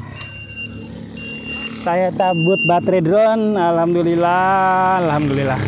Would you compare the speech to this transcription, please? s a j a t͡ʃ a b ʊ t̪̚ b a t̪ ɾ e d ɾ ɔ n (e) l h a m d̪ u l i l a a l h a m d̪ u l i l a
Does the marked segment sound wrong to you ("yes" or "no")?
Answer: yes